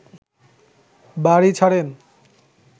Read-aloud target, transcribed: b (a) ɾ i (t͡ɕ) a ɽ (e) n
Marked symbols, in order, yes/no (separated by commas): yes, no, yes